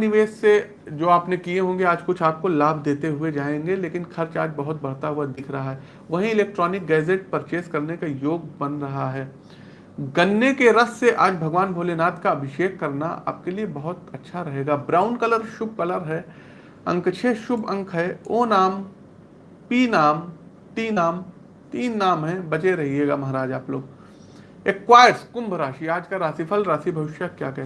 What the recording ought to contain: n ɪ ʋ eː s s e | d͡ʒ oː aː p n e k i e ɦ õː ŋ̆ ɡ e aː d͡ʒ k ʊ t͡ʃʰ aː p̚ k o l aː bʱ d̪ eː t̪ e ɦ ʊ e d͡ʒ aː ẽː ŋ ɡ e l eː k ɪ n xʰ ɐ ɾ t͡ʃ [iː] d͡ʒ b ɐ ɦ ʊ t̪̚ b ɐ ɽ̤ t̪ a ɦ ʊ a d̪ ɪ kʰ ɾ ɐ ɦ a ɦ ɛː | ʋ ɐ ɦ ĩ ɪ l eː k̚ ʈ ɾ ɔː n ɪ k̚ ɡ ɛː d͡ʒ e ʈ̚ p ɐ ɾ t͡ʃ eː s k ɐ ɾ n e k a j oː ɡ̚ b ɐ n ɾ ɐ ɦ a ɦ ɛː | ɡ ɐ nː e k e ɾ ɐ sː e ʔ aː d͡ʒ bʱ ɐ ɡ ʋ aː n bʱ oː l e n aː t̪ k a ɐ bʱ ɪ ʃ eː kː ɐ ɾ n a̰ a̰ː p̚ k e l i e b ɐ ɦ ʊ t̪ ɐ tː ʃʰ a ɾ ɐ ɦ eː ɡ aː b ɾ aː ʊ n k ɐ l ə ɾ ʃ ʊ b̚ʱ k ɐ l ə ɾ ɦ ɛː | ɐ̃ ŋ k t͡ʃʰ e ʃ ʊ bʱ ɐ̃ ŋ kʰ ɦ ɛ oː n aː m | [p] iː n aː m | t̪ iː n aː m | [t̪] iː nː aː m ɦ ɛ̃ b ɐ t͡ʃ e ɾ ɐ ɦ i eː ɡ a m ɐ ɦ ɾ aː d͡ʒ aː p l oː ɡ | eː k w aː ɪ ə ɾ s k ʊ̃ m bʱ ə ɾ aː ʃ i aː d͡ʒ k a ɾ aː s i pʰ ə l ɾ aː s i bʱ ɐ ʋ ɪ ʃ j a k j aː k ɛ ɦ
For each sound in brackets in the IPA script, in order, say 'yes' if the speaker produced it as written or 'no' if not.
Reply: no, yes, yes

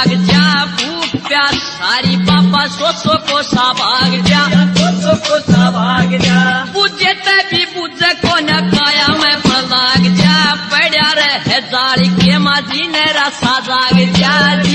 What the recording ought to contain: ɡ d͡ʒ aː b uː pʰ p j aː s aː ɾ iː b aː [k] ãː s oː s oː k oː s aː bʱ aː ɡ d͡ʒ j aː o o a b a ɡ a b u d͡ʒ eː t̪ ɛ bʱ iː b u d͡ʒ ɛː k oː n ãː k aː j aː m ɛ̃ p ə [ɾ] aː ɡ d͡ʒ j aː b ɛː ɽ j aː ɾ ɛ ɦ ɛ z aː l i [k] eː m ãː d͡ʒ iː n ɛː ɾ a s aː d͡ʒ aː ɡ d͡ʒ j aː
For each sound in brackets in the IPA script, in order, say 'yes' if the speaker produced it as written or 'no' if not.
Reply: no, no, yes

